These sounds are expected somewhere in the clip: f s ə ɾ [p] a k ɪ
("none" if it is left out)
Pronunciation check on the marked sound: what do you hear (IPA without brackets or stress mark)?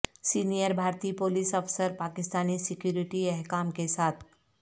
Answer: p